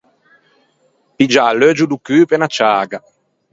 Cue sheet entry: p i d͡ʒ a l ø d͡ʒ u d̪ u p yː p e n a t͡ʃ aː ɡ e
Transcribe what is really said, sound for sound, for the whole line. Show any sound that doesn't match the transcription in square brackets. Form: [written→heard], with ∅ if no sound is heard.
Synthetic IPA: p i d͡ʒ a l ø d͡ʒ u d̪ u [p→k] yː p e n a t͡ʃ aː ɡ [e→a]